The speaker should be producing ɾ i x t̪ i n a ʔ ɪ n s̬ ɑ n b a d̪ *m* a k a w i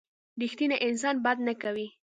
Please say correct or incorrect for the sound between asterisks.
incorrect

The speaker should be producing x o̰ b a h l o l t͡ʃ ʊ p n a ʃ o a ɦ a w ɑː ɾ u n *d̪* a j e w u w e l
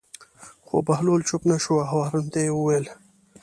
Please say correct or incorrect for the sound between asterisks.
incorrect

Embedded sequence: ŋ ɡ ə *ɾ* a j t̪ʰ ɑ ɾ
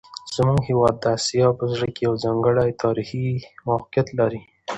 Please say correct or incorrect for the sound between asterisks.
incorrect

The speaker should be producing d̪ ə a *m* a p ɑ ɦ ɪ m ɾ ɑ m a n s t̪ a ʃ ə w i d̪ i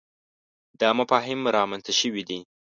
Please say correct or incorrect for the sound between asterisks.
correct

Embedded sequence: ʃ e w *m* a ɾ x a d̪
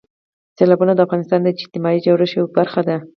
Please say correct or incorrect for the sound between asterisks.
incorrect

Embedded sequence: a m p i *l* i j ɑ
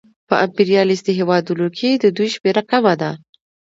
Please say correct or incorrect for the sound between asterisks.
incorrect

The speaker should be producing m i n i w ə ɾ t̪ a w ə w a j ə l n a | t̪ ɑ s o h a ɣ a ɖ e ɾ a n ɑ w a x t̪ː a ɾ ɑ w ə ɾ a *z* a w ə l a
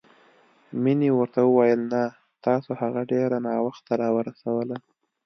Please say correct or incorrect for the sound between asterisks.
incorrect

